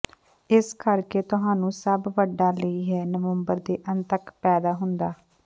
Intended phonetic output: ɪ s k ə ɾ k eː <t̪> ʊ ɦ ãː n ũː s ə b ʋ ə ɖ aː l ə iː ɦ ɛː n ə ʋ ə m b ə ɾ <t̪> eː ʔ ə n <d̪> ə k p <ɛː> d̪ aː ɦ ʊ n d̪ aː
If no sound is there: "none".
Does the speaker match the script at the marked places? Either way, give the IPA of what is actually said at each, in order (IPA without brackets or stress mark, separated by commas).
t̪, d̪, t̪, ɛː